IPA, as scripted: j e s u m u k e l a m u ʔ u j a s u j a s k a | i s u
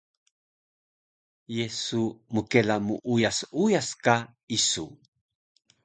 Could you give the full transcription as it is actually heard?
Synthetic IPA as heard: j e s u m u k e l a m u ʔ u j a s u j a s k a | i s u

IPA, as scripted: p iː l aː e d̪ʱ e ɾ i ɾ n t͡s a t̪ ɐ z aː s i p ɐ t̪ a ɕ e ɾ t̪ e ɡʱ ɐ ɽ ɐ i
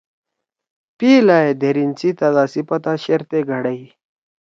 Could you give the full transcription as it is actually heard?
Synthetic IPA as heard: p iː l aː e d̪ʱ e ɾ i n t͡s i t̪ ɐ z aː s i p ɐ t̪ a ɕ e ɾ t̪ e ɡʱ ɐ ɽ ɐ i

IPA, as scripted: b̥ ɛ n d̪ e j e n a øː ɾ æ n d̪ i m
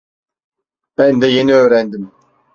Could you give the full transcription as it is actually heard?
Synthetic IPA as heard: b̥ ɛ n d̪ ɛ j e n i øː ɾ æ n d̪ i m

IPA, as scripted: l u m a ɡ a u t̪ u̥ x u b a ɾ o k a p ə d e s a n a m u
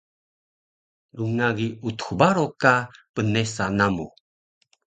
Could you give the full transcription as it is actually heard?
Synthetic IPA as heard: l u ŋ a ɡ i u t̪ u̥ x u b a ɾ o k a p ə n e s a n a m u

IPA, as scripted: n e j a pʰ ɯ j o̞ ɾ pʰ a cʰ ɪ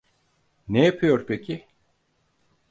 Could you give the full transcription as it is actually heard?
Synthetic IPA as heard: n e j a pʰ ɯ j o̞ ɾ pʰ e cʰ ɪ

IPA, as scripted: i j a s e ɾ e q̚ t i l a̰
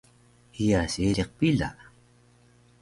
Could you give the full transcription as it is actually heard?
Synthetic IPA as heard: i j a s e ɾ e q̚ p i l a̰

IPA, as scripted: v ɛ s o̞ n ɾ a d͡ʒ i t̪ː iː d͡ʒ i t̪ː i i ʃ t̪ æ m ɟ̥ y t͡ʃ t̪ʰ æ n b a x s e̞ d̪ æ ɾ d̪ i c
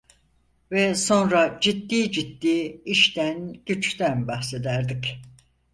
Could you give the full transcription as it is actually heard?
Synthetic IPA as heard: v ɛ s o̞ n ɾ a d͡ʒ i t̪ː iː d͡ʒ i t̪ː iː i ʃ t̪ æ n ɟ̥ y t͡ʃ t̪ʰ æ n b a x s e̞ d̪ æ ɾ d̪ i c

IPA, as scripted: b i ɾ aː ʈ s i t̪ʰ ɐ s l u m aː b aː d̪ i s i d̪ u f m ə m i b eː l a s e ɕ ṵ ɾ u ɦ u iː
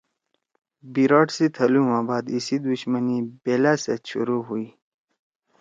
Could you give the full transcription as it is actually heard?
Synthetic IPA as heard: b i ɾ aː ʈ s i t̪ʰ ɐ l u m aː b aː d̪ i s i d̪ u ɕ m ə n i b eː l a s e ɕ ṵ ɾ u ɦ u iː

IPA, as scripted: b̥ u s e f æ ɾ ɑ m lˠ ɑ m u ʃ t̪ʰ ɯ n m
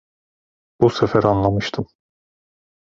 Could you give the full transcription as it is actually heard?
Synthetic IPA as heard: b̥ u s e f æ ɾ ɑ n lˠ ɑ m ɯ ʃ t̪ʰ ɯ m

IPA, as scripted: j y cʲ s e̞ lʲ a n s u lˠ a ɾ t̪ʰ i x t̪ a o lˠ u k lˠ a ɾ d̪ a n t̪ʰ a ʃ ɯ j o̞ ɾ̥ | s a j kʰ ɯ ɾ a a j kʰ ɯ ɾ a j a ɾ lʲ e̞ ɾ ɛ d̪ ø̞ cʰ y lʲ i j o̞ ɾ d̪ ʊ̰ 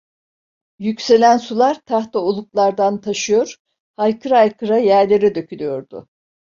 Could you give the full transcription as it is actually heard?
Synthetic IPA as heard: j y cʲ s e̞ lʲ æ n s u lˠ a ɾ t̪ʰ a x t̪ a o lˠ u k lˠ a ɾ d̪ a n t̪ʰ a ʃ ɯ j o̞ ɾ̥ | h a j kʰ ɯ ɾ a a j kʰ ɯ ɾ a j æ ɾ lʲ e̞ ɾ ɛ d̪ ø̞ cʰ y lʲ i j o̞ ɾ d̪ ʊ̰

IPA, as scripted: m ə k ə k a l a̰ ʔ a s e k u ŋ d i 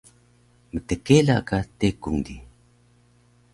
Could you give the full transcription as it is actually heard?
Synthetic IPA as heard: m ə t ə k e l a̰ k a t e k u ŋ d i

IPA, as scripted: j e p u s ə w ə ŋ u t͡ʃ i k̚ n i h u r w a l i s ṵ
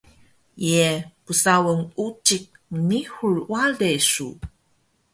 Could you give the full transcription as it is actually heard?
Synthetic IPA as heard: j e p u s a w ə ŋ u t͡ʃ i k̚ n i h u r w a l e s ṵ

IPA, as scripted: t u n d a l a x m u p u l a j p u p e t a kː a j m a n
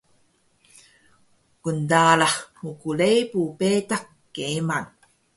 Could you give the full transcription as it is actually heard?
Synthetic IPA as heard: k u n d a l a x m u k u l e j p u p e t a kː e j m a n

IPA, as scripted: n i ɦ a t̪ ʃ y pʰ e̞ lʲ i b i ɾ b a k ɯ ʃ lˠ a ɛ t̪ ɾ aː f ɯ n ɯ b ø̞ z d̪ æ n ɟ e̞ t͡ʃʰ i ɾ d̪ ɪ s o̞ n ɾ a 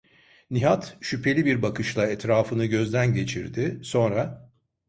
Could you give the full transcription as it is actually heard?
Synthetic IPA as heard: n i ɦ a t̪ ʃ y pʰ e̞ lʲ i b i ɾ b a k ɯ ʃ lˠ a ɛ t̪ ɾ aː f ɯ n ɯ ɟ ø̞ z d̪ æ n ɟ e̞ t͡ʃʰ i ɾ d̪ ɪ s o̞ n ɾ a

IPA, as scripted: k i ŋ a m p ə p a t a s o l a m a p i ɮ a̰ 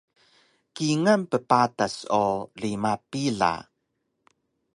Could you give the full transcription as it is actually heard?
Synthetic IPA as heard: k i ŋ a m p ə p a t a s o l i m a p i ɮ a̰

